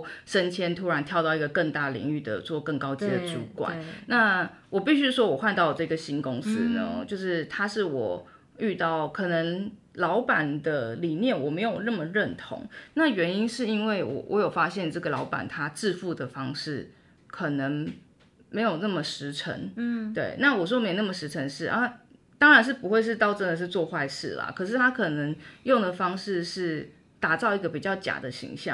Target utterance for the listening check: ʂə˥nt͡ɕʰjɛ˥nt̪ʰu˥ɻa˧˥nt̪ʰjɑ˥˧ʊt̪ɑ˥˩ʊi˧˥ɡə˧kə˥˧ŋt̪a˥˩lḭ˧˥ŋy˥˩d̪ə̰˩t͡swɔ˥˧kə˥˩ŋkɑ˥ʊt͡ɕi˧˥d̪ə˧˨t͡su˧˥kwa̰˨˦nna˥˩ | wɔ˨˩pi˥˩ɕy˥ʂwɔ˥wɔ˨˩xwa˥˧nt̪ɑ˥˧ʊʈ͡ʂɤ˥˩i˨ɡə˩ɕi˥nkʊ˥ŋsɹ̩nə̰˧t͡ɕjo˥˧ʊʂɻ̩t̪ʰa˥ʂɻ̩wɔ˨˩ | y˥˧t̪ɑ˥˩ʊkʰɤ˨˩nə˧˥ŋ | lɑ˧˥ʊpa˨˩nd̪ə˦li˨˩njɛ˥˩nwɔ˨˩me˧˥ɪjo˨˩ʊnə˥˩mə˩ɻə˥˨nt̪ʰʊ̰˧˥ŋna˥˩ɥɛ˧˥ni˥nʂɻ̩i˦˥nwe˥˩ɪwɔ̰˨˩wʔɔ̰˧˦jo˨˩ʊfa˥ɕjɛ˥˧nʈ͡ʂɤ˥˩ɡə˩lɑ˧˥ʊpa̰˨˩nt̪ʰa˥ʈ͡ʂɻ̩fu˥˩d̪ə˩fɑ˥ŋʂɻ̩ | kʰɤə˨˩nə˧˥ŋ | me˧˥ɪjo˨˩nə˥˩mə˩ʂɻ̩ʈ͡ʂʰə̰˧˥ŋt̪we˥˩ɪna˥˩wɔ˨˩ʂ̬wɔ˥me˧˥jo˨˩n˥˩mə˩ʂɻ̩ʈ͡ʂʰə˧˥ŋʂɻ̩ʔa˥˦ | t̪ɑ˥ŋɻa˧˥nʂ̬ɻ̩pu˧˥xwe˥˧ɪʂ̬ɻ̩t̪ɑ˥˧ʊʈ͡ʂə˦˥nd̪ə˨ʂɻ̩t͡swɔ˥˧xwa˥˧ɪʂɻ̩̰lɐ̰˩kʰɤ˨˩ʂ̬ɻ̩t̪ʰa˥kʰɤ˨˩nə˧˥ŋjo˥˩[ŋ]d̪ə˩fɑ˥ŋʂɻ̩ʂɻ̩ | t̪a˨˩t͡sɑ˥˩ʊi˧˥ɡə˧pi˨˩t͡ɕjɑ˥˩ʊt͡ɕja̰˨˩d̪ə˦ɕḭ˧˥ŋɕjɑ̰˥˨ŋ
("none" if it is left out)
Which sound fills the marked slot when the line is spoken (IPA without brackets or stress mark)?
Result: ŋ